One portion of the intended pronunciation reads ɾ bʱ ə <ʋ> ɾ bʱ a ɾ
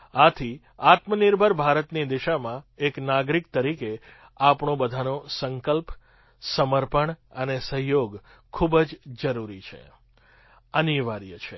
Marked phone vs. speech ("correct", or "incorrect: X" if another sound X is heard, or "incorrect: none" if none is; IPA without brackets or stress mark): incorrect: none